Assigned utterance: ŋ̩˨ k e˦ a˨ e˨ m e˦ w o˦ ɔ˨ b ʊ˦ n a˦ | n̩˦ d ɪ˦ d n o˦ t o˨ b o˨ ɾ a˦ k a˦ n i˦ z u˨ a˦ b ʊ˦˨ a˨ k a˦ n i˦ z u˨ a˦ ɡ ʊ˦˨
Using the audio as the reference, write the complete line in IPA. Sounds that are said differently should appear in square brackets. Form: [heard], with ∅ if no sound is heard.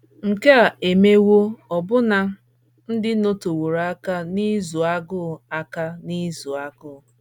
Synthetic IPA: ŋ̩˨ k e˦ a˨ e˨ m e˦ w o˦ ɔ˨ b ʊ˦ n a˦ | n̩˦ d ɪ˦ [∅] n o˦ t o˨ [w] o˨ ɾ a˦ k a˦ n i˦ z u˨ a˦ [ɡ] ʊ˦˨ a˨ k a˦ n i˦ z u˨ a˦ ɡ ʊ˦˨

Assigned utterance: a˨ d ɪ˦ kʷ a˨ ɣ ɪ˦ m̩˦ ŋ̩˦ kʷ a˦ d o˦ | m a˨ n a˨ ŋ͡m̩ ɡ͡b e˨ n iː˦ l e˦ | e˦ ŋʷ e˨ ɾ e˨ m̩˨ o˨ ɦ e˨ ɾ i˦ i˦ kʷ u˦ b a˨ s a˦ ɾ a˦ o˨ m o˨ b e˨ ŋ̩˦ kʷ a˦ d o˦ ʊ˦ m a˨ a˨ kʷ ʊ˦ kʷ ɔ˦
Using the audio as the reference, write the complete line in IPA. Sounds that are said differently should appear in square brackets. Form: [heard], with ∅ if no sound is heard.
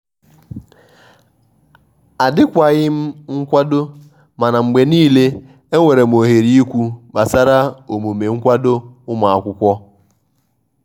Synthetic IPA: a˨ d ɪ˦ kʷ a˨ ɣ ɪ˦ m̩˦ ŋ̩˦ kʷ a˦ d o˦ | m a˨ n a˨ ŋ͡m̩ ɡ͡b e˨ n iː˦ l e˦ | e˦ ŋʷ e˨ ɾ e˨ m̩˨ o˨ ɦ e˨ ɾ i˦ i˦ kʷ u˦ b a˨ s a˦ ɾ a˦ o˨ m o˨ [m] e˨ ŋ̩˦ kʷ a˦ d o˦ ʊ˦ m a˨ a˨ kʷ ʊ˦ kʷ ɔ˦

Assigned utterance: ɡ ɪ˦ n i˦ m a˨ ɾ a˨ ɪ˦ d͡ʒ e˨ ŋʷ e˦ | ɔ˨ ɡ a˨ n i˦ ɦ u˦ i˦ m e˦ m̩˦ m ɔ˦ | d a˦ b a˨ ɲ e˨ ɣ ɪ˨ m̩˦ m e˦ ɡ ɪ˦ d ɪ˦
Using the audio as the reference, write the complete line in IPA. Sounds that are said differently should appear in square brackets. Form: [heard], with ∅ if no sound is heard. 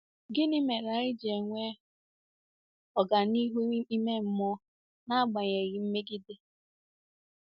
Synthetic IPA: ɡ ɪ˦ n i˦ m [e˨] ɾ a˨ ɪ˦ d͡ʒ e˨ ŋʷ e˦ | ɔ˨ ɡ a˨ n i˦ ɦ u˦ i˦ m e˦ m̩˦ m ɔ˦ | [n] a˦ [ɡ͡b] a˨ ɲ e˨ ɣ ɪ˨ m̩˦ m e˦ ɡ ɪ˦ d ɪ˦

